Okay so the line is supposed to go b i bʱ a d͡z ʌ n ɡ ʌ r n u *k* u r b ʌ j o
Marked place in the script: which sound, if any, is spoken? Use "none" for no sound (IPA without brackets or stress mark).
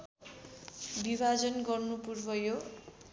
p